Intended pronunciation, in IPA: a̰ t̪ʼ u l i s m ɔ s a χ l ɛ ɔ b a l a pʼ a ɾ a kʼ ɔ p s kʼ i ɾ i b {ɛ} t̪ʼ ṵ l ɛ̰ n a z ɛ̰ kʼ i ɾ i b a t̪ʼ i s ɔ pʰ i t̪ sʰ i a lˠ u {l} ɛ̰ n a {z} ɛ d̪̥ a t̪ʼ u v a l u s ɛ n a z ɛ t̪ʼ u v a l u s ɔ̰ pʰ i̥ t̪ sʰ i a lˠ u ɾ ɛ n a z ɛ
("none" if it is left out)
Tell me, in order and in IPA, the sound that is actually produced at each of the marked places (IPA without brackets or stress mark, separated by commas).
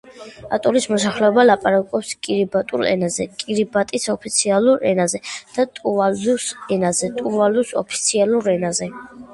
a, ɾ, z